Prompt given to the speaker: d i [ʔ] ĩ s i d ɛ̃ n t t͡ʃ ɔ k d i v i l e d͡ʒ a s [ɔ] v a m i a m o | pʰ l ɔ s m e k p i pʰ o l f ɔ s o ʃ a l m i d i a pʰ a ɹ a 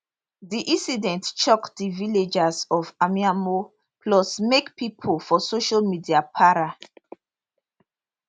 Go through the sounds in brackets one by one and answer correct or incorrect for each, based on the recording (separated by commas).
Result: correct, correct